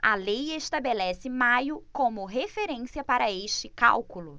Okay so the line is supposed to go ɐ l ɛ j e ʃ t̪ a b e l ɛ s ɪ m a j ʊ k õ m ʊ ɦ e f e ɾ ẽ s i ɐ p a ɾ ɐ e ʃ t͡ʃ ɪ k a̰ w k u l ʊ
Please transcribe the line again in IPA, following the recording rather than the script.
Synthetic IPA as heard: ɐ l e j e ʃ t̪ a b e l ɛ s ɪ m a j ʊ k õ m ʊ ɦ e f e ɾ ẽ s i ɐ p a ɾ ɐ e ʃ t͡ʃ ɪ k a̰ w k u l ʊ